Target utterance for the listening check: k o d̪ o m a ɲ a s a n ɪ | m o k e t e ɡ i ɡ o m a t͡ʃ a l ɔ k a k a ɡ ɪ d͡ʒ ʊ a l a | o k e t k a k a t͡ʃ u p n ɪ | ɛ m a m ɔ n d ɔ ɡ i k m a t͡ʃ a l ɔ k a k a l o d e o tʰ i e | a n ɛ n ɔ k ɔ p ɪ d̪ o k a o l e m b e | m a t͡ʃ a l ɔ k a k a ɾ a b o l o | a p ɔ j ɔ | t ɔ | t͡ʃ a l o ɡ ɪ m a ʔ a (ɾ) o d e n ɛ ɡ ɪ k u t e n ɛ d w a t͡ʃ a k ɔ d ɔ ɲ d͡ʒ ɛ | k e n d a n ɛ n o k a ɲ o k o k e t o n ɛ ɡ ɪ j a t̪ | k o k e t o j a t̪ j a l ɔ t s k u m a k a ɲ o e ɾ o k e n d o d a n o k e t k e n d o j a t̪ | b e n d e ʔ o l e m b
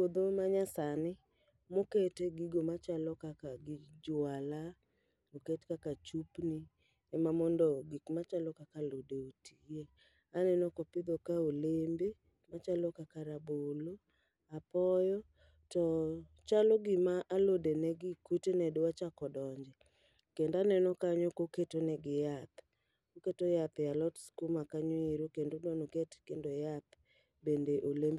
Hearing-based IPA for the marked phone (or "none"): l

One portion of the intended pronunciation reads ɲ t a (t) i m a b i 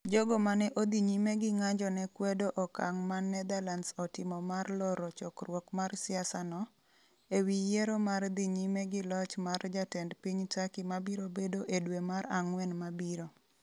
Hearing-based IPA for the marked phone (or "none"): k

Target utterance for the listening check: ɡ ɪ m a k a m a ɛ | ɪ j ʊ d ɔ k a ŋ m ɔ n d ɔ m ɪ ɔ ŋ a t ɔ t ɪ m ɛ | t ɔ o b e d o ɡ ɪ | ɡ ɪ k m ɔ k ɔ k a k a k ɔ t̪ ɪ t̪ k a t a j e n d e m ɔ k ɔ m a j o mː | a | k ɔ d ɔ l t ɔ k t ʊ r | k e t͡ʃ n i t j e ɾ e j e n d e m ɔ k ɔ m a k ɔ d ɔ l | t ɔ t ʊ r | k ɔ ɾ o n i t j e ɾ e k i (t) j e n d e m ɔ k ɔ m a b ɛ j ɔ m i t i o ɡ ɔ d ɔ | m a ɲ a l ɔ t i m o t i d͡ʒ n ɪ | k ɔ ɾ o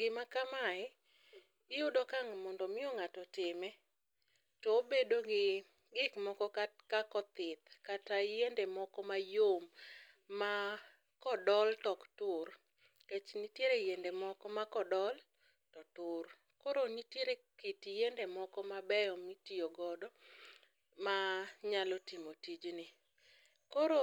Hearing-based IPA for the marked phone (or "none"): t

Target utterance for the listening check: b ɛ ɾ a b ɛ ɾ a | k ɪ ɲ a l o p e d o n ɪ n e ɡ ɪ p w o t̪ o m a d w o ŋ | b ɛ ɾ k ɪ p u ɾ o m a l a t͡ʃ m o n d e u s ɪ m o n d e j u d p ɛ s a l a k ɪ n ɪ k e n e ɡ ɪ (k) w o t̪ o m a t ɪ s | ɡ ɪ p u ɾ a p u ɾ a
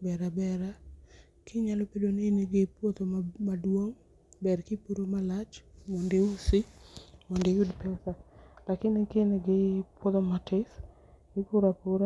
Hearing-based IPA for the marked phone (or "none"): p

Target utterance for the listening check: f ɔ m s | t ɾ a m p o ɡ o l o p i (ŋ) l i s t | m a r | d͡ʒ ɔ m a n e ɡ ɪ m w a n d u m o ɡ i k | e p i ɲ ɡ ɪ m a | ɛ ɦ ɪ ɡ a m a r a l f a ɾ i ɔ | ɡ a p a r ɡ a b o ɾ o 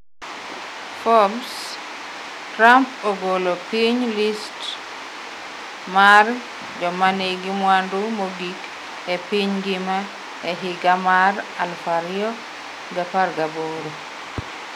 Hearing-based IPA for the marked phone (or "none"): ɲ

